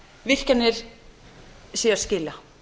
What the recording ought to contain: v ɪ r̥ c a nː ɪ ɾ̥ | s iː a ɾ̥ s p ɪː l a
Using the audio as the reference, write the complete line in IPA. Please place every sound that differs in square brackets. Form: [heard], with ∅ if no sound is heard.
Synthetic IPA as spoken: v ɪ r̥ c a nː ɪ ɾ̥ | s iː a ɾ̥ s [c] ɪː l a